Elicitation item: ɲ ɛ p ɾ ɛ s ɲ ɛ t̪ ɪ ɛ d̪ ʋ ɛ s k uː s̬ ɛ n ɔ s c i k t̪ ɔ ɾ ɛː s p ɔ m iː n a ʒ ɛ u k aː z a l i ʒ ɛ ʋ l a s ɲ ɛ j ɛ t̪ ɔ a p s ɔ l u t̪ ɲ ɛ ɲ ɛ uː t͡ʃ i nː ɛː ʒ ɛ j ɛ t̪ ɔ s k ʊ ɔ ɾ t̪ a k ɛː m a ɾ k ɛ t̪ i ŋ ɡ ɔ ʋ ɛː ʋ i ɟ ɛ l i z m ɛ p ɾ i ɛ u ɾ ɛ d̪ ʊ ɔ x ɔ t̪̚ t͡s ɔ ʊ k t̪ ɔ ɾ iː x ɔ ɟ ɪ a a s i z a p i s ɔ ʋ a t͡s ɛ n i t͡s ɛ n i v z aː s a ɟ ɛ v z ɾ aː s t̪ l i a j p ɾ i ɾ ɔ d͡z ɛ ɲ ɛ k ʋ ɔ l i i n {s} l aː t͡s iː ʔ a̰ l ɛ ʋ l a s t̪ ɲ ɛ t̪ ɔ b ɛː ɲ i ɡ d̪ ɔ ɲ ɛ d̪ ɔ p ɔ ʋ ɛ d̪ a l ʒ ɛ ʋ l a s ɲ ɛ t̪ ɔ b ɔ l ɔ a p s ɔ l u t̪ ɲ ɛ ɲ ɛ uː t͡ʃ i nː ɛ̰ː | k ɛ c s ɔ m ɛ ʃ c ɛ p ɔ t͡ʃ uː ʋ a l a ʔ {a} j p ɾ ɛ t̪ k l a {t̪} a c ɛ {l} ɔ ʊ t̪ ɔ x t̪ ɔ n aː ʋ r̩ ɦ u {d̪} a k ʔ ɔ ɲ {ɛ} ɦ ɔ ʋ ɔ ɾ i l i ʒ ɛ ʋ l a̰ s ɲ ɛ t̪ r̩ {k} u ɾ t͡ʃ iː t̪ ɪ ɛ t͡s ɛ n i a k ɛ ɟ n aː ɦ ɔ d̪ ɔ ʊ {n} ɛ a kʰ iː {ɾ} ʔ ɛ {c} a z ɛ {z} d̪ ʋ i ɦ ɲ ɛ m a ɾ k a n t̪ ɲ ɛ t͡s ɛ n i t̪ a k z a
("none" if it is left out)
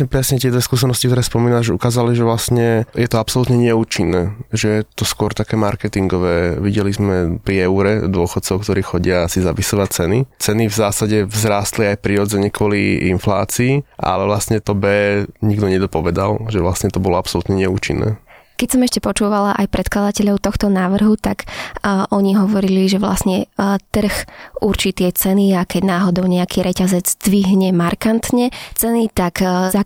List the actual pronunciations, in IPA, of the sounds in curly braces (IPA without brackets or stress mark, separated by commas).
f, a, d̪, ʎ, t̪, i, x, ɲ, ɾ, c, d͡z